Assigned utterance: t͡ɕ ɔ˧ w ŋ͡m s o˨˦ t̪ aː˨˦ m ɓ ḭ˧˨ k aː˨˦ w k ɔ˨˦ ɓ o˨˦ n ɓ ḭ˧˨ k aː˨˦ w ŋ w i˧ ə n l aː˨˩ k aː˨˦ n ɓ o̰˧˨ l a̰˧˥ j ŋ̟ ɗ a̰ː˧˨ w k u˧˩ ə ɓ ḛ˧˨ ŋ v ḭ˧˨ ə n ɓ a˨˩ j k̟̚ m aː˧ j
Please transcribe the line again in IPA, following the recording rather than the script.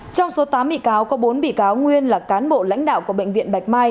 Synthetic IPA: t͡ɕ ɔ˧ w ŋ͡m s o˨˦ t̪ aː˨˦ m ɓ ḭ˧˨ k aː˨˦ w k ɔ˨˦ ɓ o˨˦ n ɓ ḭ˧˨ k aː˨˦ w ŋ w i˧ ə n l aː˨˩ k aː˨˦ n ɓ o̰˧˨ l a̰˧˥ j ŋ̟ ɗ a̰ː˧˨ w k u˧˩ ə ɓ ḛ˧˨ ŋ v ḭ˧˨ ə n ɓ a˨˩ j k̟̚ m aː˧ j